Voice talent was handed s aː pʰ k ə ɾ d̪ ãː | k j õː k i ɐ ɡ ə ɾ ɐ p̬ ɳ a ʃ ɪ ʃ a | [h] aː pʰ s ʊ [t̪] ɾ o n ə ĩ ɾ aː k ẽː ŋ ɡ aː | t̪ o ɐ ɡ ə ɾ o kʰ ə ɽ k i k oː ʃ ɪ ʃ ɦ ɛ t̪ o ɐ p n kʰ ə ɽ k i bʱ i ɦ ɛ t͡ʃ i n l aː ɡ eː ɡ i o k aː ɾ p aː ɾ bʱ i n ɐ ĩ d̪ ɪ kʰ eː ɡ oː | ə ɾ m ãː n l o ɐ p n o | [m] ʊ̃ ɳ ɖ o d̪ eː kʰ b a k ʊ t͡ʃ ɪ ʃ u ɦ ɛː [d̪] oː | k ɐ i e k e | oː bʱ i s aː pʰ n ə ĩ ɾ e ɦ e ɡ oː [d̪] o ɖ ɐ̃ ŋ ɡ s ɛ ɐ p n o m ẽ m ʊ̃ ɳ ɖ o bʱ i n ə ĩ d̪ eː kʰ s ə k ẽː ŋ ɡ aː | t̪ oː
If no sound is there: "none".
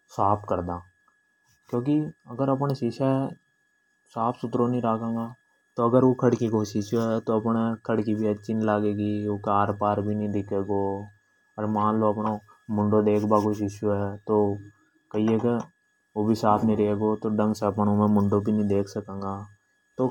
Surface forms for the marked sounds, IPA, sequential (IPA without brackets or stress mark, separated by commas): s, t̪, m, t̪, t̪